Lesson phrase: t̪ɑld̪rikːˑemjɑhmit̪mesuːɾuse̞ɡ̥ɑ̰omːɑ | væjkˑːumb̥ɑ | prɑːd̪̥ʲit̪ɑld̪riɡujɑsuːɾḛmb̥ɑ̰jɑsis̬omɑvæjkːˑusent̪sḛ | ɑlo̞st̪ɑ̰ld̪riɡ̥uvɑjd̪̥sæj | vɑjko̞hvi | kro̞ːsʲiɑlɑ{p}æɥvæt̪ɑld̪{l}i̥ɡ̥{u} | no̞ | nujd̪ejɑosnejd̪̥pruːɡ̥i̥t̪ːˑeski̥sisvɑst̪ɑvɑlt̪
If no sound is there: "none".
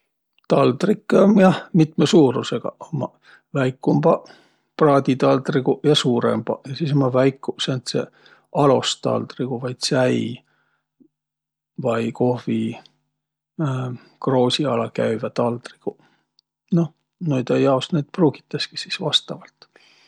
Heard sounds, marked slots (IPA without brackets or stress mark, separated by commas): k, r, u